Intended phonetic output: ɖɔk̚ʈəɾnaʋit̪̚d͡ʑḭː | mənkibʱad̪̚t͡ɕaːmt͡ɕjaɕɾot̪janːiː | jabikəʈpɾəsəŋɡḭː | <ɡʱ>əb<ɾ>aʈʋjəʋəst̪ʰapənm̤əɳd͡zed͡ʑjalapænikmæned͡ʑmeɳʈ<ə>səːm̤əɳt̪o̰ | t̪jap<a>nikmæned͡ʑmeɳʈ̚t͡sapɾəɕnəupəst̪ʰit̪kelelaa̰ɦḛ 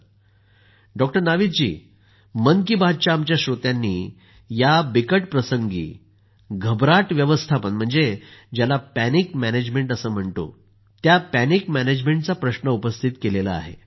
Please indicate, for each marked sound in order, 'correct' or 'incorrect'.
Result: correct, correct, correct, incorrect

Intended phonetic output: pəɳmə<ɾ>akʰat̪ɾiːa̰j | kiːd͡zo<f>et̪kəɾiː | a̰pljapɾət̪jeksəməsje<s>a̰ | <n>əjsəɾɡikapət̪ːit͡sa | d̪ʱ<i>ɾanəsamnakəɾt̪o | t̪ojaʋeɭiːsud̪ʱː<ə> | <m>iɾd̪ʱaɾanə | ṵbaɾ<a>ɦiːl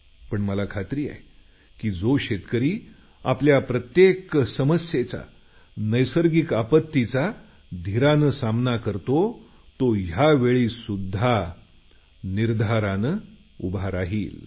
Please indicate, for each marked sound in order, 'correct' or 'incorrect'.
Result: incorrect, incorrect, incorrect, correct, correct, incorrect, incorrect, correct

